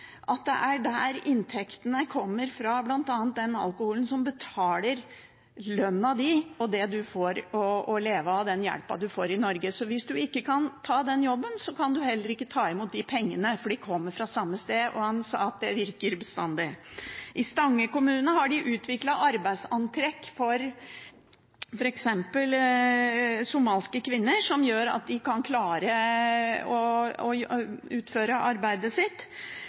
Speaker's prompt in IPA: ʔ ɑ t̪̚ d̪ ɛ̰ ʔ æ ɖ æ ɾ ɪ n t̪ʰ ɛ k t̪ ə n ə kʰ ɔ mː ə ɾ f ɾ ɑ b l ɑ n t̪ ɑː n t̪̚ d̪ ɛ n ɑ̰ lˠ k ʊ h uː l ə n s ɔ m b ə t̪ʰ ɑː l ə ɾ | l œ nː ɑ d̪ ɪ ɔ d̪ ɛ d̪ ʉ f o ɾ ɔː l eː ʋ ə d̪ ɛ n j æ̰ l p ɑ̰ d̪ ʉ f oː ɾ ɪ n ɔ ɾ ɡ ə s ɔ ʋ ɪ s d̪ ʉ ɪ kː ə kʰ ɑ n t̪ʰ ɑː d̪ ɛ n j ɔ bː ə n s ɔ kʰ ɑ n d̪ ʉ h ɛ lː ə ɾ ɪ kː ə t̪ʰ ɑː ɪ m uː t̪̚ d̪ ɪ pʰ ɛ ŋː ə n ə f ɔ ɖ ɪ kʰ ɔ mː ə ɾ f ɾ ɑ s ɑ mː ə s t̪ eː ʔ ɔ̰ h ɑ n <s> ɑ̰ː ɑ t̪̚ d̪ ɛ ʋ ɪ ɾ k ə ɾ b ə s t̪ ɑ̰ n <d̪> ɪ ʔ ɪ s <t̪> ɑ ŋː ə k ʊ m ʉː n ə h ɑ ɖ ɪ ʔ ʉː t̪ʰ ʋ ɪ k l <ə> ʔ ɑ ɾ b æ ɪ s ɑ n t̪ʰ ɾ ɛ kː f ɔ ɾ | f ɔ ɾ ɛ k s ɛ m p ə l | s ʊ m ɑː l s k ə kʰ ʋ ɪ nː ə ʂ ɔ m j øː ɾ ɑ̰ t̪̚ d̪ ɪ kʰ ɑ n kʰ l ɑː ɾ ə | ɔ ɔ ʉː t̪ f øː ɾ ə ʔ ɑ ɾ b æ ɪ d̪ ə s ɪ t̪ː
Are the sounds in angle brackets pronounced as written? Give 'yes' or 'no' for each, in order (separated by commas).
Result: yes, yes, yes, no